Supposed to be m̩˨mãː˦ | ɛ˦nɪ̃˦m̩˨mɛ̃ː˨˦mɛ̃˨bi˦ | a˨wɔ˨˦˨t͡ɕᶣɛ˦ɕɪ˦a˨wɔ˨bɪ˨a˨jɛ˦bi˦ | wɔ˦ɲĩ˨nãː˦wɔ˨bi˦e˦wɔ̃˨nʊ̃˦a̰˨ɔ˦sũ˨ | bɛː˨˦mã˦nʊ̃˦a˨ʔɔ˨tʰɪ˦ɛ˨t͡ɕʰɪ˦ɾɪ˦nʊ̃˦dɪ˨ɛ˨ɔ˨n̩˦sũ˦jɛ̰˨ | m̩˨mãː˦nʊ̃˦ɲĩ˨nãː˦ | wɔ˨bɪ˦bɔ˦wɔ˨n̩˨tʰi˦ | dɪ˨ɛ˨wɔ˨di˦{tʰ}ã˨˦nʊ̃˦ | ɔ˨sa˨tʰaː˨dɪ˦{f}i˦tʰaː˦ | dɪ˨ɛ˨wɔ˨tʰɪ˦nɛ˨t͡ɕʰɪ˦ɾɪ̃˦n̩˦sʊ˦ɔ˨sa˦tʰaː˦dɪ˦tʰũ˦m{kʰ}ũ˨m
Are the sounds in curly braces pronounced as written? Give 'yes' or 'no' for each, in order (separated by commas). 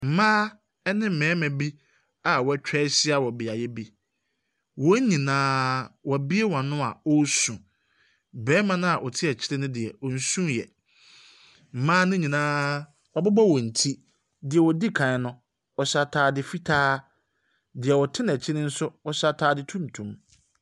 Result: no, yes, no